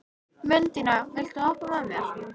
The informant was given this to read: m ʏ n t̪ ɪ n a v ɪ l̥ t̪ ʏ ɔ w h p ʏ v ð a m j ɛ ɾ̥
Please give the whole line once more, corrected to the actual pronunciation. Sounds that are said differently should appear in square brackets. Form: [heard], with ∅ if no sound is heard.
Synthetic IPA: m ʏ n t̪ ɪ n a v ɪ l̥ t̪ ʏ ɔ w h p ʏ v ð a m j ɛ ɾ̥